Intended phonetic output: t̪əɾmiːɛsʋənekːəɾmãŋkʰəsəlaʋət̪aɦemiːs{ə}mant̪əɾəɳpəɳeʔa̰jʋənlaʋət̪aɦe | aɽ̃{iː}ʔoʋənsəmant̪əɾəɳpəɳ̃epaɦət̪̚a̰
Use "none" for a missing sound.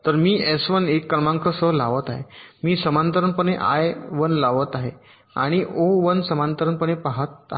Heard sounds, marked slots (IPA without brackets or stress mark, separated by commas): ə, i